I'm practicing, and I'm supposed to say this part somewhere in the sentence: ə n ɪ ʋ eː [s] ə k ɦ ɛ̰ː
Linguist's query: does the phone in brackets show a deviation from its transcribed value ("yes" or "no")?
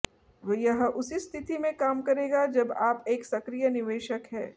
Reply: yes